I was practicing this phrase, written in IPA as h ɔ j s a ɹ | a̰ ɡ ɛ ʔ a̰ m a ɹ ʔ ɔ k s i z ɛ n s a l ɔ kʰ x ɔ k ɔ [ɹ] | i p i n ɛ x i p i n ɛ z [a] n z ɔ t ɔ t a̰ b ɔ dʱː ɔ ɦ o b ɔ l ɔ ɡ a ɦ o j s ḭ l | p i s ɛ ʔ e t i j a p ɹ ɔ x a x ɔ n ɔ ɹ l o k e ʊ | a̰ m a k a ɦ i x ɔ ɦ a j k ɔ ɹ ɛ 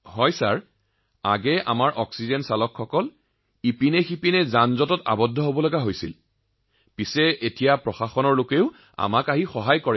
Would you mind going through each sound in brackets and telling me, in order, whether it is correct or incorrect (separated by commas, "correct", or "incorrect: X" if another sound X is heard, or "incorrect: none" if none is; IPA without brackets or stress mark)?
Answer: incorrect: l, correct